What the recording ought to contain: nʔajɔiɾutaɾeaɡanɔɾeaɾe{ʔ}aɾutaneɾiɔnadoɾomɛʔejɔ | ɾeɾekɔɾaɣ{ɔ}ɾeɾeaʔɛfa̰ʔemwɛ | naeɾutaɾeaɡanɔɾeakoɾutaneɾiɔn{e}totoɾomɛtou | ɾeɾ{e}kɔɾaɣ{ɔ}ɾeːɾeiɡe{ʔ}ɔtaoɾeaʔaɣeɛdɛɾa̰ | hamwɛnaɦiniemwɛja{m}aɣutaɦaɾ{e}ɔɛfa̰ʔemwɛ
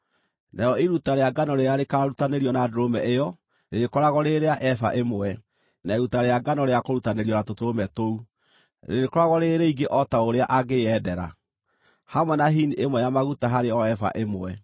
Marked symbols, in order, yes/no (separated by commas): no, yes, no, yes, yes, yes, yes, yes